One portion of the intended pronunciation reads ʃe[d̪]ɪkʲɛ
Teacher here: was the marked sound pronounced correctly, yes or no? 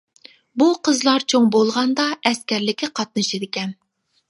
yes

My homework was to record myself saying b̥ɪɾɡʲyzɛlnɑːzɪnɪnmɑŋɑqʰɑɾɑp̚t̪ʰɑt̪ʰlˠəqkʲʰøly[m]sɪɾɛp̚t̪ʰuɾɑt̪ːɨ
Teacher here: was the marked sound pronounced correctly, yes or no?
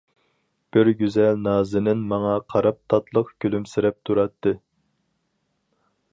yes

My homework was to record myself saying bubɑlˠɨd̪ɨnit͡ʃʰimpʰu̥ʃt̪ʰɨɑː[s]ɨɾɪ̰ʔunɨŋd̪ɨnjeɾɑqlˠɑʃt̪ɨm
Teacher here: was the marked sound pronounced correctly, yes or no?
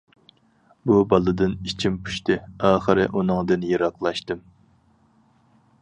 no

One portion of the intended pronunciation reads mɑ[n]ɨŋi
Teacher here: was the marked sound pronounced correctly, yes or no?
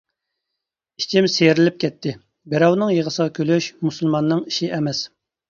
no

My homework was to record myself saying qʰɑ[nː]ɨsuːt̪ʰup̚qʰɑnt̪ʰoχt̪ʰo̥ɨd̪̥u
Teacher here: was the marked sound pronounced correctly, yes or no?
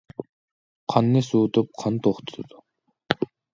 yes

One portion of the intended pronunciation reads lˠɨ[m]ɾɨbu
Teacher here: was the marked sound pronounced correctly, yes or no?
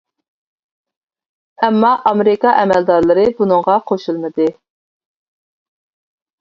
no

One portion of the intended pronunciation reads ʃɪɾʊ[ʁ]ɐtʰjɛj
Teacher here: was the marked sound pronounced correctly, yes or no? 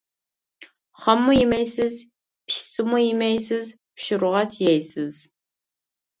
yes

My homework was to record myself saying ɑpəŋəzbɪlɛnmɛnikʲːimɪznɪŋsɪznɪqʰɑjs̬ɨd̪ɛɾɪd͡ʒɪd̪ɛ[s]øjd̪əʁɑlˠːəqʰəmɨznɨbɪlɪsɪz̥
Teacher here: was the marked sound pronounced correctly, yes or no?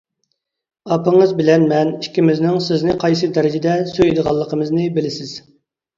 yes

